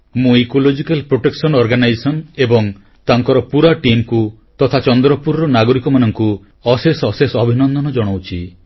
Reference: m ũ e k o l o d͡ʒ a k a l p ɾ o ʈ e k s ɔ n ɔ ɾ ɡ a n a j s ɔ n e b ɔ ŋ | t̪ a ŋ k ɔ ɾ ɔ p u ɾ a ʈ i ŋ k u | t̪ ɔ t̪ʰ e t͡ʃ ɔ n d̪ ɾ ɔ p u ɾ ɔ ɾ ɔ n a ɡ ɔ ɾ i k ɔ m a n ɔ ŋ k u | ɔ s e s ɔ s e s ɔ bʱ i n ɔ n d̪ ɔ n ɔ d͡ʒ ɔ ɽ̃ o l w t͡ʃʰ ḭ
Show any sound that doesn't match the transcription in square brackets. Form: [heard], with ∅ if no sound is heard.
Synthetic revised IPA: m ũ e k o l o d͡ʒ [i] k a l p ɾ o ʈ e k s ɔ n ɔ ɾ ɡ a n a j s ɔ n e b ɔ ŋ | t̪ a ŋ k ɔ ɾ ɔ p u ɾ a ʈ i [m] k u | t̪ ɔ t̪ʰ [a] t͡ʃ ɔ n d̪ ɾ ɔ p u ɾ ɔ ɾ ɔ n a ɡ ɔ ɾ i k ɔ m a n ɔ ŋ k u | ɔ s e s ɔ s e s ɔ bʱ i n ɔ n d̪ ɔ n ɔ d͡ʒ ɔ ɽ̃ o [∅] w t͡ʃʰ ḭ